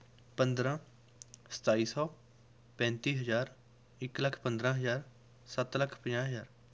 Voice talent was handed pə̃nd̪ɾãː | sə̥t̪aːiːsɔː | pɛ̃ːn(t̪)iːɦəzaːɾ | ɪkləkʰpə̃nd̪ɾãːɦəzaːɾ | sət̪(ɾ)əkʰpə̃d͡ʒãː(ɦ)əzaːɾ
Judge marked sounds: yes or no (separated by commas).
yes, no, yes